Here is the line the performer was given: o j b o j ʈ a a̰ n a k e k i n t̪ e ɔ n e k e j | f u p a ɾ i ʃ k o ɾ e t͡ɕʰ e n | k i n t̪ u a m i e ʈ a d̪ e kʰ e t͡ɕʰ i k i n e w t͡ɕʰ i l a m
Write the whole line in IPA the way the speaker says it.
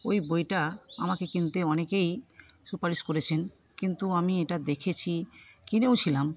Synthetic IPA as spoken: o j b o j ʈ a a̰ m a k e k i n t̪ e ɔ n e k e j | s u p a ɾ i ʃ k o ɾ e t͡ɕʰ e n | k i n t̪ u a m i e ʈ a d̪ e kʰ e t͡ɕʰ i k i n e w t͡ɕʰ i l a m